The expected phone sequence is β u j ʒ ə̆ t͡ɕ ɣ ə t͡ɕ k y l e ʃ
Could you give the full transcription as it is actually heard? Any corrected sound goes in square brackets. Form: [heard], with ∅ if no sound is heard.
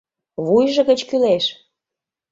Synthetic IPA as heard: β u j ʒ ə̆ [∅] ɣ ə t͡ɕ k y l e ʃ